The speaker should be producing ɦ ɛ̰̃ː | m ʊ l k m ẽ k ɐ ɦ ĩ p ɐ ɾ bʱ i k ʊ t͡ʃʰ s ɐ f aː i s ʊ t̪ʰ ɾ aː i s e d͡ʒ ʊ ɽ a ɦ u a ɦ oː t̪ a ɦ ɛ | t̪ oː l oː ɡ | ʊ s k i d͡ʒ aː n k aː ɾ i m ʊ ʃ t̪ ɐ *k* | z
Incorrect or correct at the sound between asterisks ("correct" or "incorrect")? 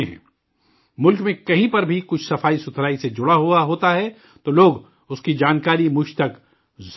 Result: correct